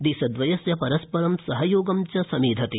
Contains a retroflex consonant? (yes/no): no